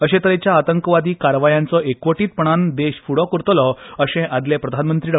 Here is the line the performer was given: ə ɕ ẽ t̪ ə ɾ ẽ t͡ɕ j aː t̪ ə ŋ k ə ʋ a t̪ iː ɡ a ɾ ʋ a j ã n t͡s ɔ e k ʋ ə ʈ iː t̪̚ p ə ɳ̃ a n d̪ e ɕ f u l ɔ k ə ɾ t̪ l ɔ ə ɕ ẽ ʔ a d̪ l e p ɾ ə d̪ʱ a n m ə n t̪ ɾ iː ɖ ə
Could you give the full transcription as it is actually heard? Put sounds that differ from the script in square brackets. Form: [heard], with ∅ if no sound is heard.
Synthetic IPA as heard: ə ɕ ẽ t̪ ə ɾ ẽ t͡ɕ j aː t̪ ə ŋ k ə ʋ a [d̪] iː [k] a ɾ ʋ a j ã n t͡s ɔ e k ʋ ə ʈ iː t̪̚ p ə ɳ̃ a n d̪ e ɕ f u [ɽ] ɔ k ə ɾ t̪ l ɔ ə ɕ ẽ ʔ a d̪ l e p ɾ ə d̪ʱ a n m ə n t̪ ɾ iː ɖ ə